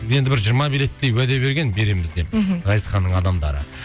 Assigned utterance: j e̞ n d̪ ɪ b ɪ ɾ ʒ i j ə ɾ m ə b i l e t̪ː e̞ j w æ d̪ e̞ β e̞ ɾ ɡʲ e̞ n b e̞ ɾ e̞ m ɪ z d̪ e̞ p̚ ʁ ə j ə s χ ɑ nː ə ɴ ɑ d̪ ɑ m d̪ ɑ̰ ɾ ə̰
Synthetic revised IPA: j e̞ n d̪ ɪ b ɪ ɾ ʒ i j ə ɾ m ɑ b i l e t̪ː e̞ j w æ d̪ e̞ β e̞ ɾ ɡʲ e̞ n b e̞ ɾ e̞ m ɪ z d̪ e̞ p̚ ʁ ɑ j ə s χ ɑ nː ə ɴ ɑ d̪ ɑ m d̪ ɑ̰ ɾ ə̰